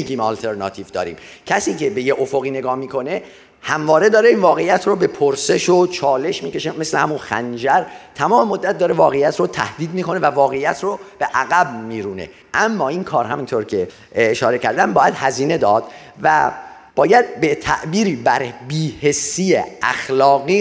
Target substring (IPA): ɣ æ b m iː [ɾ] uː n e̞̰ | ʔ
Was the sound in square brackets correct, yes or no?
yes